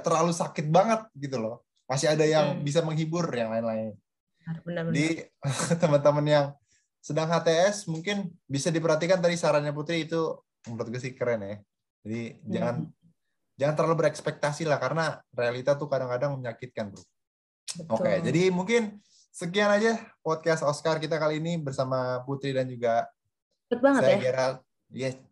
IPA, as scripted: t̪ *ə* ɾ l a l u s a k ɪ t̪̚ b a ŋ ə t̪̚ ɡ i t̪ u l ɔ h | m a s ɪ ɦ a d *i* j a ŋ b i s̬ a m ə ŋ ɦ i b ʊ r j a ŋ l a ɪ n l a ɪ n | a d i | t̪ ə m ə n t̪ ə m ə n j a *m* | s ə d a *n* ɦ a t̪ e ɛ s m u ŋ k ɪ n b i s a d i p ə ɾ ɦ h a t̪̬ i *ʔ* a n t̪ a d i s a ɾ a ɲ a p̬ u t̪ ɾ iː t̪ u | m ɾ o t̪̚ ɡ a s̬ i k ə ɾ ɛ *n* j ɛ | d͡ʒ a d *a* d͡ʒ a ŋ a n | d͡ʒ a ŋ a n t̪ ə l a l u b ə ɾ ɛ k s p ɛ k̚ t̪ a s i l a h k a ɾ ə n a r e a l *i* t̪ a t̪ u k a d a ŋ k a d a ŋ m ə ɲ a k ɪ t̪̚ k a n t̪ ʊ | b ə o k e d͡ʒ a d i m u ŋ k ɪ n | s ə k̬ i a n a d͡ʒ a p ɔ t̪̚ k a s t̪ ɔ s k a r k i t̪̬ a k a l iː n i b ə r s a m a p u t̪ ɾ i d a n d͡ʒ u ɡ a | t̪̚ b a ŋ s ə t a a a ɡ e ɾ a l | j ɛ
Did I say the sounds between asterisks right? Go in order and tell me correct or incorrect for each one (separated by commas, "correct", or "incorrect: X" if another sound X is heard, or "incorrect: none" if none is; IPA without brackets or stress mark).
correct, incorrect: a, incorrect: ŋ, incorrect: ŋ, incorrect: k, correct, incorrect: i, correct